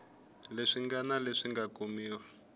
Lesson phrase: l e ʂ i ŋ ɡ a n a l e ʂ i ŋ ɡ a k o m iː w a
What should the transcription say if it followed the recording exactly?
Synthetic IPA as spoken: l e ʂ i ŋ ɡ a n a l e ʂ i ŋ ɡ a k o m iː w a